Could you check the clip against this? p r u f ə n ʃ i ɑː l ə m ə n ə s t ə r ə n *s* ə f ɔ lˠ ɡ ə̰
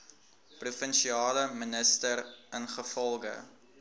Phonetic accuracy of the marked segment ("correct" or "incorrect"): incorrect